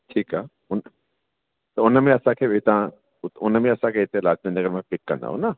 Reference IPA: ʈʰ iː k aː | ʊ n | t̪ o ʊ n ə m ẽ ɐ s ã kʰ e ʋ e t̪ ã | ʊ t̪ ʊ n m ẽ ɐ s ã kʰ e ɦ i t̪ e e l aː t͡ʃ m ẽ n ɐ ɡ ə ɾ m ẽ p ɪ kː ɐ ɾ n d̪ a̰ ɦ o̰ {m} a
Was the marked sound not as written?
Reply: yes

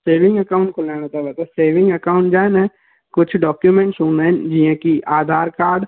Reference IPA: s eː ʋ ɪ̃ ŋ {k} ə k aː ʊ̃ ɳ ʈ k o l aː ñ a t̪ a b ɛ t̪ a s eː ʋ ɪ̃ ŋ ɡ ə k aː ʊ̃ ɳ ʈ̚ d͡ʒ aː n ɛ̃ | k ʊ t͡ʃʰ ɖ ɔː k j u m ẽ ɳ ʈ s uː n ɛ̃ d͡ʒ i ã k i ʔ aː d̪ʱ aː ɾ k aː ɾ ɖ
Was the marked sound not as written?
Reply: yes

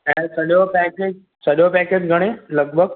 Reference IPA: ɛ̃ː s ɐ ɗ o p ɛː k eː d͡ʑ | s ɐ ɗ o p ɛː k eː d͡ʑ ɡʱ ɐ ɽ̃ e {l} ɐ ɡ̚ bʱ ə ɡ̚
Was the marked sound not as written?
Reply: no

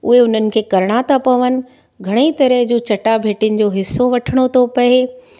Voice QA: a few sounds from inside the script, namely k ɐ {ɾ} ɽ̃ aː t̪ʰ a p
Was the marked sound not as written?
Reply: no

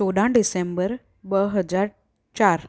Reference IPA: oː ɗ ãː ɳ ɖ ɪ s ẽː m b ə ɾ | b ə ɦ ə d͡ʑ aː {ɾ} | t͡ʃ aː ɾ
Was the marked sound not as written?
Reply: no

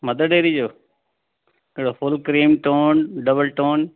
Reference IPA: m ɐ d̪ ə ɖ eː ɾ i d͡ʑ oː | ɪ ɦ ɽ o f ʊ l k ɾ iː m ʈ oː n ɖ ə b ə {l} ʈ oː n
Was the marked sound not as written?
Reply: no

